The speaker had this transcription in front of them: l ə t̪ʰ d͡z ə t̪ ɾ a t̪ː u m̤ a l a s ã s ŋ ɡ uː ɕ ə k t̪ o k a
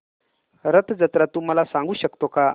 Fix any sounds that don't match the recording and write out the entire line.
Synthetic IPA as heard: ɾ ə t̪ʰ d͡z ə t̪ ɾ a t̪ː u m̤ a l a s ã ŋ ɡ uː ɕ ə k t̪ o k a